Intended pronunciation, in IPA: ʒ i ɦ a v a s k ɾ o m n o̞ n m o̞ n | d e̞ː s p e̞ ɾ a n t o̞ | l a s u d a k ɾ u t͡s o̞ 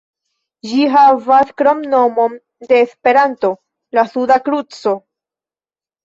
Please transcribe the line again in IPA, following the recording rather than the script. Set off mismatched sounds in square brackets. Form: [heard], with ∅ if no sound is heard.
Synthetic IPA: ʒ i ɦ a v a s k ɾ o m n o̞ [∅] m o̞ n | d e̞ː s p e̞ ɾ a n t o̞ | l a s u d a k ɾ u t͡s o̞